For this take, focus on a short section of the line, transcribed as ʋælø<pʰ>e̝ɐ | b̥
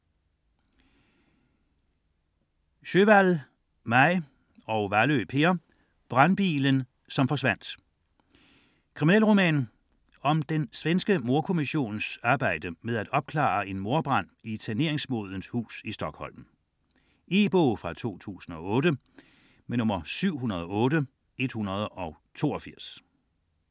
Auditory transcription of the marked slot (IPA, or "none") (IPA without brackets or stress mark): pʰ